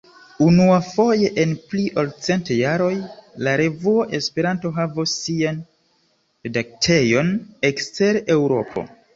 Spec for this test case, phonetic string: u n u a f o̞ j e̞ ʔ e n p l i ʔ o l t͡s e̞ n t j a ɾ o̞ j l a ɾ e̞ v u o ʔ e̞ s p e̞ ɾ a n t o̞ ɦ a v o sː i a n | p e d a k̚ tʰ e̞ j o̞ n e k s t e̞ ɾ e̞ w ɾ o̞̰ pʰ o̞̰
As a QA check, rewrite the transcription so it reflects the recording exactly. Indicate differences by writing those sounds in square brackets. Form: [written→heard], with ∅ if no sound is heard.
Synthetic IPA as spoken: u n u a f o̞ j e̞ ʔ e n p l i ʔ o l t͡s e̞ n t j a ɾ o̞ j l a ɾ e̞ v u o ʔ e̞ s p e̞ ɾ a n t o̞ ɦ a v o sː i a n | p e d a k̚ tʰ e̞ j o̞ n e k s t e̞ ɾ e̞ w ɾ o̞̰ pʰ o̞̰